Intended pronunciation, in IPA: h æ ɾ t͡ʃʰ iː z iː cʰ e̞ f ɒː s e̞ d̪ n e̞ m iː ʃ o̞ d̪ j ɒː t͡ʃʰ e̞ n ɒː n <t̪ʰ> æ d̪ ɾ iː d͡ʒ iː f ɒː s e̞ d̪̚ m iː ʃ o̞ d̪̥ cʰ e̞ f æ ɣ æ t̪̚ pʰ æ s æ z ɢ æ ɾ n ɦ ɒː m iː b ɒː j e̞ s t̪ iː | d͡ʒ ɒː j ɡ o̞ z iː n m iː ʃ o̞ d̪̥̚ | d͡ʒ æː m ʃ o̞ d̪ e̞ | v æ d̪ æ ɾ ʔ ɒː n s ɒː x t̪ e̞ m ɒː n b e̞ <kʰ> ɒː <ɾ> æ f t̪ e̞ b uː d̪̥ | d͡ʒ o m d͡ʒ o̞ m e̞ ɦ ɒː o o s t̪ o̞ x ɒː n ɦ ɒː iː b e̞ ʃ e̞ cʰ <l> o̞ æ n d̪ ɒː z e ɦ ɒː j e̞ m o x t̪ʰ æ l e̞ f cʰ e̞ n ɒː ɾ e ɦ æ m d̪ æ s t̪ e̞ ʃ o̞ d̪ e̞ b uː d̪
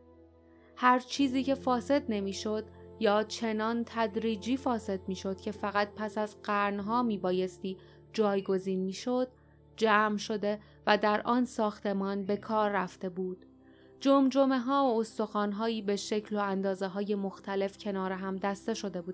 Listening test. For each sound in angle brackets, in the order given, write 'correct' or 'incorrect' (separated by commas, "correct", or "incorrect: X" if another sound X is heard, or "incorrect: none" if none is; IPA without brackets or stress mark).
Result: correct, correct, incorrect: ɾː, correct